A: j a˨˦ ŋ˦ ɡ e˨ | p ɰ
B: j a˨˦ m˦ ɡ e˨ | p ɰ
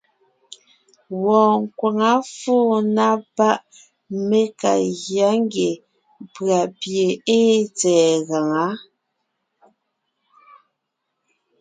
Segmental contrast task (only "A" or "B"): A